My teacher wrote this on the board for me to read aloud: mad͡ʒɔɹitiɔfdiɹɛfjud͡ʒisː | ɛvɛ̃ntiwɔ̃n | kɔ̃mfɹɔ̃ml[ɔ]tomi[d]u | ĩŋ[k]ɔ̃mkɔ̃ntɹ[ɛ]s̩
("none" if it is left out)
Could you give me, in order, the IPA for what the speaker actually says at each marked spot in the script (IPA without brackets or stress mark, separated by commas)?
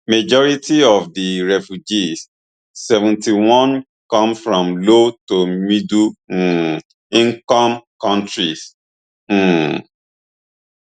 o, d, k, i